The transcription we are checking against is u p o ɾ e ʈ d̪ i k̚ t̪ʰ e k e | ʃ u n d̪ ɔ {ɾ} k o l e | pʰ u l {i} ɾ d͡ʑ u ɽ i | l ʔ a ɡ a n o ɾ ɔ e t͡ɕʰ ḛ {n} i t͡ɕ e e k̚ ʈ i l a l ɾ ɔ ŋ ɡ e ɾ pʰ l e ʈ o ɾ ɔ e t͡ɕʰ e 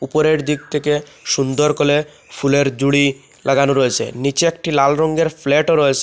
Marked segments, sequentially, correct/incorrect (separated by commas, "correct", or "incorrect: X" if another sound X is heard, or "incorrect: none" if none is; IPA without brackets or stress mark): correct, incorrect: e, correct